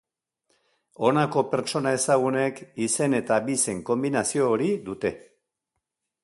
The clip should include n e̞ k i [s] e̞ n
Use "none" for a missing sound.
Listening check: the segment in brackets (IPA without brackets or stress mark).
s